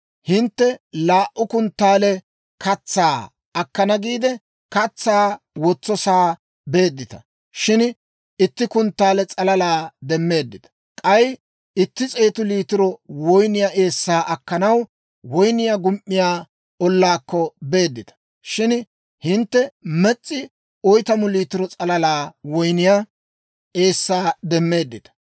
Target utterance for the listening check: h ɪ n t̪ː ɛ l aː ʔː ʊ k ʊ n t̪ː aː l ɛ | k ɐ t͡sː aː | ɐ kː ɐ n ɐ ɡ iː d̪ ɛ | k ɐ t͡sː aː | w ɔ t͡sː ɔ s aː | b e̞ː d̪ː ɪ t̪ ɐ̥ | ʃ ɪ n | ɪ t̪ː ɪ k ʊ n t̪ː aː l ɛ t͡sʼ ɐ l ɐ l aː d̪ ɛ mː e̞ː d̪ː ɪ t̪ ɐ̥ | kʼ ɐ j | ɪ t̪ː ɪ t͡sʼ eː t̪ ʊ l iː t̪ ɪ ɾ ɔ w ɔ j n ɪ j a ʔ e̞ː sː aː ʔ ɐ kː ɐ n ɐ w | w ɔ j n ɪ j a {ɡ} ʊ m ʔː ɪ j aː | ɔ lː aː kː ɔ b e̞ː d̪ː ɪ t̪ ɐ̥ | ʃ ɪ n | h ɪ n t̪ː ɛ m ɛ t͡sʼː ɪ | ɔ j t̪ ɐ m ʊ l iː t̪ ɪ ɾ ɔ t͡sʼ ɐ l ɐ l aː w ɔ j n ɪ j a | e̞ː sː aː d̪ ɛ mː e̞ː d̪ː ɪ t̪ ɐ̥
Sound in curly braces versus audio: correct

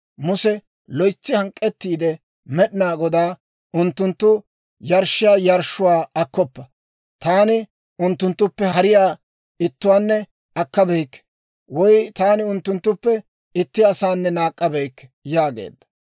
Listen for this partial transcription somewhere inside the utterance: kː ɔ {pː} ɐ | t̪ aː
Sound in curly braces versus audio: correct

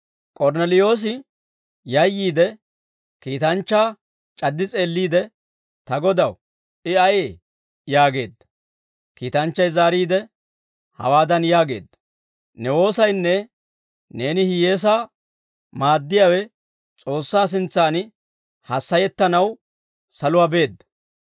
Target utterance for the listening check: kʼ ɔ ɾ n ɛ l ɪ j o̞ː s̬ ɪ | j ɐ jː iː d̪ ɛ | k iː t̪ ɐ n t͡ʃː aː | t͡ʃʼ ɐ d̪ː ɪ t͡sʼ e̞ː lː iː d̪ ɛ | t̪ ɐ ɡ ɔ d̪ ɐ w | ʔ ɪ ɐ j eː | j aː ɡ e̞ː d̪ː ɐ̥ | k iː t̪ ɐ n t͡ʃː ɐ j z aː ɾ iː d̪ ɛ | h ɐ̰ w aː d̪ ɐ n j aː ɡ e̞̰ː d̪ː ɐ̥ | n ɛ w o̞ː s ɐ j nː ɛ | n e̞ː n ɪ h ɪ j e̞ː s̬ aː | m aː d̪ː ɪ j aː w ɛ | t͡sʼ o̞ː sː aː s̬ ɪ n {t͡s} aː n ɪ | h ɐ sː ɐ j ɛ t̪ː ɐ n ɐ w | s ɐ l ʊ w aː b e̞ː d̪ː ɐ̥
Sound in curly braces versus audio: correct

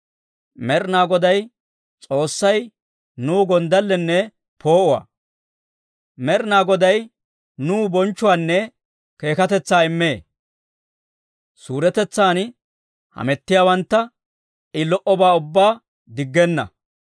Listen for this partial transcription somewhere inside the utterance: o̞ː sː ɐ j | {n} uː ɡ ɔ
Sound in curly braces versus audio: correct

